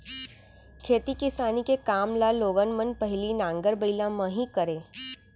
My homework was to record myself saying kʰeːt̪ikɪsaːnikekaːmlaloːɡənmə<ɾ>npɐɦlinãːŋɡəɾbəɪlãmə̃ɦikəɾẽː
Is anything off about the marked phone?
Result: yes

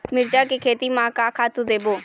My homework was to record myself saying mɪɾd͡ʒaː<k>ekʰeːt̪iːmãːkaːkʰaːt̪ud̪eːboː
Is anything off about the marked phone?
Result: no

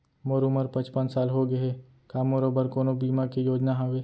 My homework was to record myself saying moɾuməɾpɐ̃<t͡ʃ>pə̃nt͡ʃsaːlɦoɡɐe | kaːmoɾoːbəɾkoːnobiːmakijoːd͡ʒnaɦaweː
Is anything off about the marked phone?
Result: no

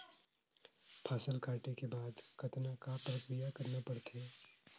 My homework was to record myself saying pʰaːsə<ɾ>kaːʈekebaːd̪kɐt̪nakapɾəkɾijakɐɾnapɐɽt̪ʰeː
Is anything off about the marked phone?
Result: yes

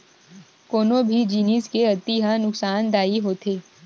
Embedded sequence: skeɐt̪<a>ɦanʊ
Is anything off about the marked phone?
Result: yes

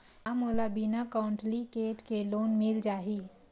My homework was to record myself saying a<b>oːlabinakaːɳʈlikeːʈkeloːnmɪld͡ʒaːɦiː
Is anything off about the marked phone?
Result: yes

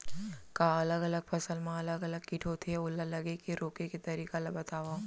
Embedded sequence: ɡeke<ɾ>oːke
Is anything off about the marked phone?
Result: no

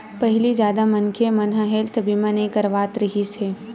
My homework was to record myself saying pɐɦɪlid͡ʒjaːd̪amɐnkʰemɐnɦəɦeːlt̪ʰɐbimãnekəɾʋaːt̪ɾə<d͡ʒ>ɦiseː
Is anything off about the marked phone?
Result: yes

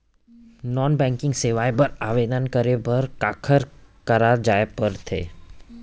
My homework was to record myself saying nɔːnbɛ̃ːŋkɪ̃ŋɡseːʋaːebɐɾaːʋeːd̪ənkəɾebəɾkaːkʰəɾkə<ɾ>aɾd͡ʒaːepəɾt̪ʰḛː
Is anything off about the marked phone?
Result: no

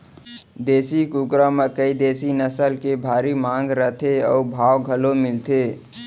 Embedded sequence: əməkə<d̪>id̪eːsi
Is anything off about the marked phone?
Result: yes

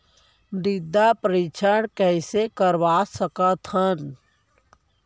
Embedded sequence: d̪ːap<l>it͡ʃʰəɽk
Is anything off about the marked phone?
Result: yes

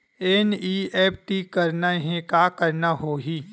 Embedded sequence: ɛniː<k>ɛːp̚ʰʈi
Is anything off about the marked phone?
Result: yes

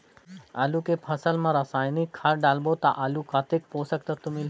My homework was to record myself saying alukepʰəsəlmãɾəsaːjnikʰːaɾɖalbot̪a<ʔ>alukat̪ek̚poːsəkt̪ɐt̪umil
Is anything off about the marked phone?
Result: no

